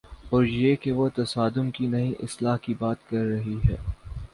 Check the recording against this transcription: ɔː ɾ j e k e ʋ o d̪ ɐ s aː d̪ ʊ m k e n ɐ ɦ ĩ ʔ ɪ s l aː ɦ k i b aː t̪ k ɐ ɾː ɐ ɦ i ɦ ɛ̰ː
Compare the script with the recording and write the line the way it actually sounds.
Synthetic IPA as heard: ɔː ɾ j e k e ʋ o t̪ ɐ s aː d̪ ʊ m k i n ɐ ɦ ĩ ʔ ɪ s l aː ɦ k i b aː t̪ k ɐ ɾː ɐ ɦ i ɦ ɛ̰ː